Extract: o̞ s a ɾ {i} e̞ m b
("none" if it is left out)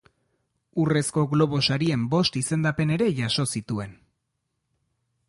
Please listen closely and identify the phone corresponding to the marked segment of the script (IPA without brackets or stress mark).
i